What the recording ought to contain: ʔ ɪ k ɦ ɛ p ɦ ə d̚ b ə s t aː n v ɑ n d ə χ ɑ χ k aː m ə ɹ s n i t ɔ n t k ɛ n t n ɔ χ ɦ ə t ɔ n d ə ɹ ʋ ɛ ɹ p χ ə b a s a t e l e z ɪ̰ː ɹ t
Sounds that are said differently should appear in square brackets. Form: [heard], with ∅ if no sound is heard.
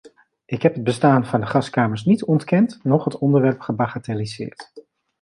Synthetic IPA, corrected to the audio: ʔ ɪ k ɦ ɛ p ɦ ə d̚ b ə s t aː n v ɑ n d ə χ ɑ [s] k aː m ə ɹ s n i t ɔ n t k ɛ n t n ɔ χ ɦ ə t ɔ n d ə ɹ ʋ ɛ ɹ p χ ə b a [χ] a t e l [i] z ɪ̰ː ɹ t